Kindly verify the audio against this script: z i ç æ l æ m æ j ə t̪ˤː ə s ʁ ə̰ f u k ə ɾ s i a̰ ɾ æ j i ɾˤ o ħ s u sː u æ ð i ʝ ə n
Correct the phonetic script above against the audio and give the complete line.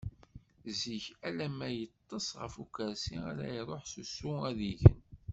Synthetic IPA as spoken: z i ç æ l æ m æ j ə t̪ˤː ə s ʁ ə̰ f u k ə ɾ s i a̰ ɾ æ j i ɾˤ o ħ s u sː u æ ð i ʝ ə n